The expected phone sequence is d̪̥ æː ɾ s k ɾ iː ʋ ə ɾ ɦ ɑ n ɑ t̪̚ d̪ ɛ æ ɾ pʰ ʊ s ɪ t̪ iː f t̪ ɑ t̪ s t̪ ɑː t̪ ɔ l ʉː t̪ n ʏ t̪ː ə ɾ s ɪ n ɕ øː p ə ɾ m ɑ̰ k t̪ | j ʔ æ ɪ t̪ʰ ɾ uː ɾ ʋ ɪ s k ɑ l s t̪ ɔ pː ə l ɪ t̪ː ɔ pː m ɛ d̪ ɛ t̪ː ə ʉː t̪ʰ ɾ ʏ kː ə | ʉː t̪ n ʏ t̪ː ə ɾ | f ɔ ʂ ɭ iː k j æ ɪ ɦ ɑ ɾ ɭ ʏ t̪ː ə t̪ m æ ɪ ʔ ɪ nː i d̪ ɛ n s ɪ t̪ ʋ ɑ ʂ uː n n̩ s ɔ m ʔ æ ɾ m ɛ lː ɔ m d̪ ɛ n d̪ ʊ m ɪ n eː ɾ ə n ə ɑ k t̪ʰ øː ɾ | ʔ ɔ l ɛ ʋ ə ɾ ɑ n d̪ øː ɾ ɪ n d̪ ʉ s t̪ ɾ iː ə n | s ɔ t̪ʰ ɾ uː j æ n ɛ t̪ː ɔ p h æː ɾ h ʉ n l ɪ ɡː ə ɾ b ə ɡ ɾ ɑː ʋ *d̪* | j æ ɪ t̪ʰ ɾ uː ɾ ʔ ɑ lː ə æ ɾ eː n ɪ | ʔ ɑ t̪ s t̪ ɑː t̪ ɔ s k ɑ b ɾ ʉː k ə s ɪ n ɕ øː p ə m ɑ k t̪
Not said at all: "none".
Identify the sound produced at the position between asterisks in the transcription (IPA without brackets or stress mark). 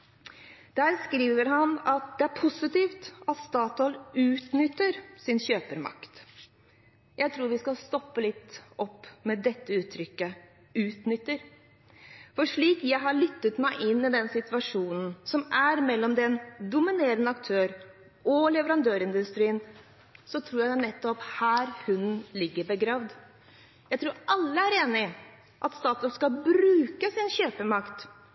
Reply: d̪